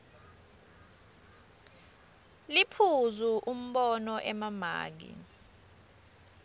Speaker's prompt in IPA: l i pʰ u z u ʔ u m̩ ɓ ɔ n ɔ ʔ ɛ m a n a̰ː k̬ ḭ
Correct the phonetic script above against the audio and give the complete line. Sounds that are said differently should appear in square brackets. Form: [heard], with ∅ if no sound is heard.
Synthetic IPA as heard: l i pʰ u z u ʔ u m̩ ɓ ɔ n ɔ ʔ ɛ m a [m] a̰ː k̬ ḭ